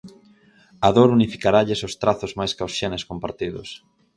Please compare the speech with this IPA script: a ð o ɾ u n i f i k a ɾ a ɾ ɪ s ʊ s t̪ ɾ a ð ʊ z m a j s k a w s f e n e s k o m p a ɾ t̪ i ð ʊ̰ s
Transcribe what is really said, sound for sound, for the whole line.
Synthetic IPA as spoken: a ð o ɾ u n i f i k a ɾ a ʎ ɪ s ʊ s t̪ ɾ a θ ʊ z m a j s k a w s ʃ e n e s k o m p a ɾ t̪ i ð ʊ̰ s